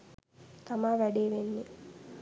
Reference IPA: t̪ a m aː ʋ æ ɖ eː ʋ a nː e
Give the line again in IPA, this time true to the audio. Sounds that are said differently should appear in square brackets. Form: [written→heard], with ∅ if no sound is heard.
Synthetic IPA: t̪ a m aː ʋ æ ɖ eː ʋ [a→e] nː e